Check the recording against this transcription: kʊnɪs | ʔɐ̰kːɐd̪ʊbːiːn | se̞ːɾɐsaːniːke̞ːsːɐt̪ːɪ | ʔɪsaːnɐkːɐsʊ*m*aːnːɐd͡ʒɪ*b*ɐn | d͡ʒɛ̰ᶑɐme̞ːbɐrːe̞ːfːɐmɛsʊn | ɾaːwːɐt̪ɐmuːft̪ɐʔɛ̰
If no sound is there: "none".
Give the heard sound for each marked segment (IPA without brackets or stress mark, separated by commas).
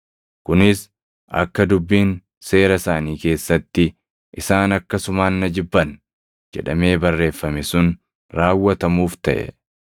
m, bː